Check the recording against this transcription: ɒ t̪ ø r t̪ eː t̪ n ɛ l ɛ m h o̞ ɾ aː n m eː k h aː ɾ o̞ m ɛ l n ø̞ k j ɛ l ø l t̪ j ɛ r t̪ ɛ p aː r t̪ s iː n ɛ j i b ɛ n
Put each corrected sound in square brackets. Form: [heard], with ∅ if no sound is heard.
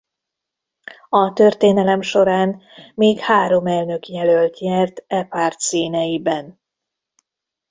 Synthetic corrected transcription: ɒ t̪ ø r t̪ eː [∅] n ɛ l ɛ m [ʃ] o̞ ɾ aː n m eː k h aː ɾ o̞ m ɛ l n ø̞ k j ɛ l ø l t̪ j ɛ r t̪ ɛ p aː r t̪ s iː n ɛ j i b ɛ n